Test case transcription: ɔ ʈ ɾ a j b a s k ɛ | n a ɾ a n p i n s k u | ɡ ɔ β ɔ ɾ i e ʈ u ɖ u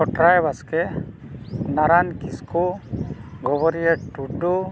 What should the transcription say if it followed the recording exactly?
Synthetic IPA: ɔ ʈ ɾ a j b a s k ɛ | n a ɾ a n k i s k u | ɡ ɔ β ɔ ɾ i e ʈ u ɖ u